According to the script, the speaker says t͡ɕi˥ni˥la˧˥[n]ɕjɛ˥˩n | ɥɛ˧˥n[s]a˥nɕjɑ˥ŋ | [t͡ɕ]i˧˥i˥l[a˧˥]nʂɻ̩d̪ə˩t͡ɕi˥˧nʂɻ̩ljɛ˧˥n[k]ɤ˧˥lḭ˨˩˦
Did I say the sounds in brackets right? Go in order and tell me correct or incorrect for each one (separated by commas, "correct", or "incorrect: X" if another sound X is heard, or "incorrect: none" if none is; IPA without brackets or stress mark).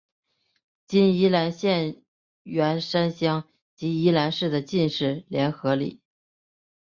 correct, incorrect: ʂ, correct, correct, incorrect: x